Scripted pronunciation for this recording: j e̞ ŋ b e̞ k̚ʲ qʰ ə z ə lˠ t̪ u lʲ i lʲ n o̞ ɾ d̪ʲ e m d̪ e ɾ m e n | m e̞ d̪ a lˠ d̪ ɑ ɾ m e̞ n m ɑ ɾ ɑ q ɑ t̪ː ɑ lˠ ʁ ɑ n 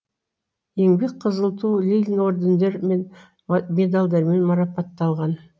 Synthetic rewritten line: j e̞ ŋ b e̞ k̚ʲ qʰ ə z ə lˠ t̪ u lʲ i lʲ n o̞ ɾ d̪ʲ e n d̪ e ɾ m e n | m e̞ d̪ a lˠ d̪ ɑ ɾ m e̞ n m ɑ ɾ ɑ p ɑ t̪ː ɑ lˠ ʁ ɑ n